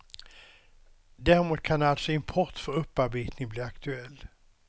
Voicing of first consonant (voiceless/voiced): voiced